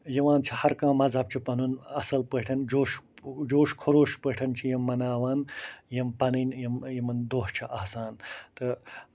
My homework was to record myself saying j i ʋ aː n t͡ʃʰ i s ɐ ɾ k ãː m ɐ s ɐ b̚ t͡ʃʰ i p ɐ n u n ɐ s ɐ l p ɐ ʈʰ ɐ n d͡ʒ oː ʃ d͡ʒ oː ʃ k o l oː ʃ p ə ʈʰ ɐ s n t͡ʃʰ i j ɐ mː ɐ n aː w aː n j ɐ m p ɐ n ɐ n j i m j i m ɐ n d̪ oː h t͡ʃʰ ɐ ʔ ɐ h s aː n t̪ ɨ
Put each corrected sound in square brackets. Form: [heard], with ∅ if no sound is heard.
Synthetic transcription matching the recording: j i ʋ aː n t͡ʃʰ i [h] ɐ ɾ k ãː m ɐ [z] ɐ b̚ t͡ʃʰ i p ɐ n u n ɐ s ɐ l p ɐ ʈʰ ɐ n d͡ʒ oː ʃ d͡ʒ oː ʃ [kʰ] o [ɾ] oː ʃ p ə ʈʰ ɐ [∅] n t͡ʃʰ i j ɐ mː ɐ n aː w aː n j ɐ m p ɐ n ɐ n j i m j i m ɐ n d̪ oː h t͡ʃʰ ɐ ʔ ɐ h s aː n t̪ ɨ

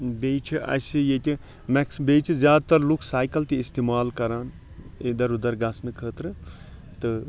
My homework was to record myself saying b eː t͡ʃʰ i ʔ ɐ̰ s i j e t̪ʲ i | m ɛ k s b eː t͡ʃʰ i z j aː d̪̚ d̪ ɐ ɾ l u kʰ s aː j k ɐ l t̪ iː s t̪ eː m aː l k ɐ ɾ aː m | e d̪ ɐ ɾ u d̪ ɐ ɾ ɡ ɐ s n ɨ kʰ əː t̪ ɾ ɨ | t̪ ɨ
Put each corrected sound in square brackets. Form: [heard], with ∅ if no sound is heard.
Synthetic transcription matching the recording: b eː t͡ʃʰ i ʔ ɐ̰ s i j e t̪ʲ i | m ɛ k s b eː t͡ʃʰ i z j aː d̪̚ [t̪] ɐ ɾ l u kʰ s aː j k ɐ l t̪ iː s t̪ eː m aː l k ɐ ɾ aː [n] | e d̪ ɐ ɾ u d̪ ɐ ɾ ɡ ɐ s n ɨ kʰ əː t̪ ɾ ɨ | t̪ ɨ

